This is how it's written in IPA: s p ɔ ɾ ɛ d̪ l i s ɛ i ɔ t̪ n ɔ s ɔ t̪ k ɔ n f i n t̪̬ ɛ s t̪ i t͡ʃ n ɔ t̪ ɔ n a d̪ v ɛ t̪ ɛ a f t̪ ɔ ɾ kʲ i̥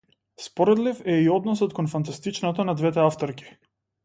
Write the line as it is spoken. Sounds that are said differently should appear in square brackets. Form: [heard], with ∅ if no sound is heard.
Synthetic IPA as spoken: s p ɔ ɾ ɛ d̪ l i [f] ɛ i ɔ [d̪] n ɔ s ɔ t̪ k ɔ n f [a] n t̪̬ [a] s t̪ i t͡ʃ n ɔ t̪ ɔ n a d̪ v ɛ t̪ ɛ a f t̪ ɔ ɾ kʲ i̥